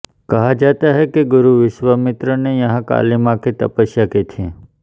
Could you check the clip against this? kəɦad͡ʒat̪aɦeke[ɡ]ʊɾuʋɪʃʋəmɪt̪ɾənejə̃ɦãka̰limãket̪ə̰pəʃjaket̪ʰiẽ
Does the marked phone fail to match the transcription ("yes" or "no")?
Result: no